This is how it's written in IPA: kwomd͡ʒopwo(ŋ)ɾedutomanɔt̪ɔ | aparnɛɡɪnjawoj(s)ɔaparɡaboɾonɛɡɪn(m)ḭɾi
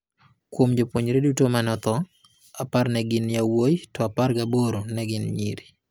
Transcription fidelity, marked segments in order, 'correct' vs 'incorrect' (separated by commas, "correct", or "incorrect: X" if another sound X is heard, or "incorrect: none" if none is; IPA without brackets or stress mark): incorrect: ɲ, incorrect: t, incorrect: ɲ